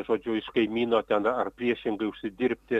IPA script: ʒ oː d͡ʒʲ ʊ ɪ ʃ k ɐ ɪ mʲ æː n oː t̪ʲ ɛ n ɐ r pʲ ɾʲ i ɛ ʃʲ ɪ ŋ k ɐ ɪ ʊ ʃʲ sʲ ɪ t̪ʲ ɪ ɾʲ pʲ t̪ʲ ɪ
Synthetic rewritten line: ʒ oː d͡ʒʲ ʊ ɪ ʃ k ɐ ɪ mʲ iː n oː t̪ʲ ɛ n ɐ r pʲ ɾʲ i ɛ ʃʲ ɪ ŋ ɡ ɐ ɪ ʊ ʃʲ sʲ ɪ d̪ʲ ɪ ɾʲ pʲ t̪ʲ ɪ